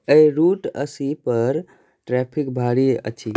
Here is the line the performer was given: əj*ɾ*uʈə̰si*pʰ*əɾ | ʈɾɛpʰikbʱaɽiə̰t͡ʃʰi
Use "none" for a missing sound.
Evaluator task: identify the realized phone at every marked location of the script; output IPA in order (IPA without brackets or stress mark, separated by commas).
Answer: ɾ, p